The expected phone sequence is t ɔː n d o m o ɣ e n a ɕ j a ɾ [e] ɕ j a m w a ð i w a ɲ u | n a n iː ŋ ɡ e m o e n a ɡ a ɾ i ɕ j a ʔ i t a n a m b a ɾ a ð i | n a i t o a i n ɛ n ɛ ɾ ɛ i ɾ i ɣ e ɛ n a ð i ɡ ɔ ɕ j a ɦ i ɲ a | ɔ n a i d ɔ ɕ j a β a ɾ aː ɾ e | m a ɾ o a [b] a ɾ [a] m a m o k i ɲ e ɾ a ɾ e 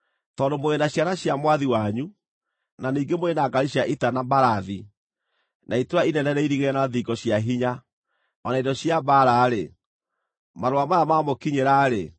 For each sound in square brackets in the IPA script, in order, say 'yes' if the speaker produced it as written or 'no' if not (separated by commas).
no, no, yes